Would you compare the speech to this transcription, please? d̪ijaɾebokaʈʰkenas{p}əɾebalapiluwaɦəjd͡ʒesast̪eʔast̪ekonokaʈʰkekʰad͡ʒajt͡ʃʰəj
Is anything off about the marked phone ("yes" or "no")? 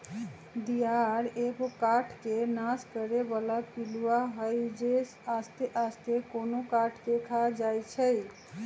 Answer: yes